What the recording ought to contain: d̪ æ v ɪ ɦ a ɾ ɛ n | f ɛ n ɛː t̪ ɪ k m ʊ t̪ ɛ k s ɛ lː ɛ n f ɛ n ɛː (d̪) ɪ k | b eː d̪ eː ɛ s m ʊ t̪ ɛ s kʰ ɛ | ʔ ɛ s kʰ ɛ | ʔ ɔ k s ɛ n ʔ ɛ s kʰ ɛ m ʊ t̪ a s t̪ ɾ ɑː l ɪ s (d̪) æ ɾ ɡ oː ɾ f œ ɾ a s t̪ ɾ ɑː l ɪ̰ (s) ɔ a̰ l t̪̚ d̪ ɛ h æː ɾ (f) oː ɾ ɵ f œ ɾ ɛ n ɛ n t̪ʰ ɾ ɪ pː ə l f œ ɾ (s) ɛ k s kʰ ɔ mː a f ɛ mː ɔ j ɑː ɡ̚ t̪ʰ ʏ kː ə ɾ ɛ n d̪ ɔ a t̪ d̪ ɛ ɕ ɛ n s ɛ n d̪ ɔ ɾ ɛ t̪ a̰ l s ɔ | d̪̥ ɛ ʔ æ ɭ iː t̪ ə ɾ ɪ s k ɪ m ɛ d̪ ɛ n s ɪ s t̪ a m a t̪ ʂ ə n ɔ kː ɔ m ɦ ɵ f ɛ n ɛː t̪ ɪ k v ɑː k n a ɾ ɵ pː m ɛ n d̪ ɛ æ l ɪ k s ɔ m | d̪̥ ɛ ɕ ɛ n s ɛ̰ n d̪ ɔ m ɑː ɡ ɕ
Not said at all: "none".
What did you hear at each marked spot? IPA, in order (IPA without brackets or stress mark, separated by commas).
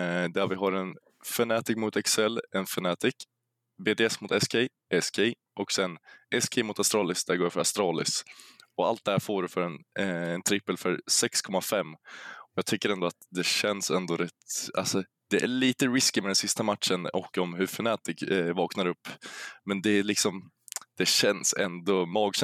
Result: t̪, d̪, s, f, s